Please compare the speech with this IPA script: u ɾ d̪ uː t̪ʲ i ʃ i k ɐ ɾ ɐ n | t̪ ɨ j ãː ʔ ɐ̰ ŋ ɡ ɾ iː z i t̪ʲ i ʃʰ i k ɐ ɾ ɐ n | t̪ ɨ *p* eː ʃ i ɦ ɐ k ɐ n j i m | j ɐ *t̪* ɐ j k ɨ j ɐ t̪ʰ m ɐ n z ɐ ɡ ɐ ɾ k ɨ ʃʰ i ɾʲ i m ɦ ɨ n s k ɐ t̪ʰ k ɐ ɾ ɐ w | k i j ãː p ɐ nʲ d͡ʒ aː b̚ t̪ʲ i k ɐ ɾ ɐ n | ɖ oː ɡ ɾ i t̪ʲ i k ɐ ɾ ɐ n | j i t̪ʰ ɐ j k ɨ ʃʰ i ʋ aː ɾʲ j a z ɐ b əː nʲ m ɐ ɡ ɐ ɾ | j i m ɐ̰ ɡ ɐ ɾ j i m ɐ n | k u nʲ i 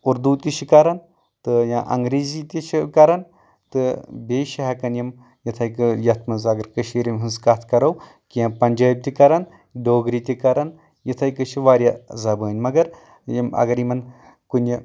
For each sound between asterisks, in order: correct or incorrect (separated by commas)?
incorrect, incorrect